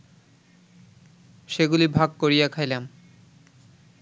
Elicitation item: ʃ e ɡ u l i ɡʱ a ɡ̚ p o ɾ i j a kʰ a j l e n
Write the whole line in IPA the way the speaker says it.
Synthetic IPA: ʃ e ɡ u l i bʱ a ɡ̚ k o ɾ i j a kʰ a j l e m